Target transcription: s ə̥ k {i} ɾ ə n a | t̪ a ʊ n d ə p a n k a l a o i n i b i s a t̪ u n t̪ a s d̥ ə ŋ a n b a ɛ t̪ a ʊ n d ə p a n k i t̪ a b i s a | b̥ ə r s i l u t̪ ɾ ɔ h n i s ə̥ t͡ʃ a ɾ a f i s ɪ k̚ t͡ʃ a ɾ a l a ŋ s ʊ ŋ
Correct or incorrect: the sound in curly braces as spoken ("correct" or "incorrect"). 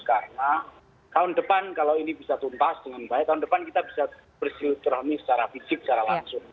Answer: incorrect